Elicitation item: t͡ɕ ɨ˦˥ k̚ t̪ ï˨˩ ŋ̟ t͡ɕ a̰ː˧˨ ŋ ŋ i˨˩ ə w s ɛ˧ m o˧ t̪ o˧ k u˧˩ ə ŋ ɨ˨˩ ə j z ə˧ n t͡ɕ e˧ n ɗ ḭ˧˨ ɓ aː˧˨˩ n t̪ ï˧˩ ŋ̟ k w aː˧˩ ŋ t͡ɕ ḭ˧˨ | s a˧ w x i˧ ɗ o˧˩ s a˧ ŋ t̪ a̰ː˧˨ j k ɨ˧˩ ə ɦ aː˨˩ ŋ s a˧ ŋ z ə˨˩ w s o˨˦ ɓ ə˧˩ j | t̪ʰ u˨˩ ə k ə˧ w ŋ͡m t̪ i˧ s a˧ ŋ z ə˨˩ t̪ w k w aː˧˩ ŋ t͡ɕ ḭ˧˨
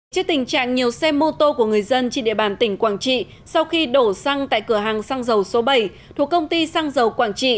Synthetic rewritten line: t͡ɕ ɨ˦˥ k̚ t̪ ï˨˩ ŋ̟ t͡ɕ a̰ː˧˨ ŋ ɲ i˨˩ ə w s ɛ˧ m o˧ t̪ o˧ k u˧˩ ə ŋ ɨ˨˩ ə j z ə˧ n t͡ɕ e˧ n ɗ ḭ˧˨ ɓ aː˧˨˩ n t̪ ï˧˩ ŋ̟ k w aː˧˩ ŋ t͡ɕ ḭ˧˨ | s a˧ w x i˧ ɗ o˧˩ s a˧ ŋ t̪ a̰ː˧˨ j k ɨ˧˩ ə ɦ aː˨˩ ŋ s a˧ ŋ z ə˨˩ w s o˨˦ ɓ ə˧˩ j | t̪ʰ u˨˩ ə k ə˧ w ŋ͡m t̪ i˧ s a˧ ŋ z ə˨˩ w k w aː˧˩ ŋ t͡ɕ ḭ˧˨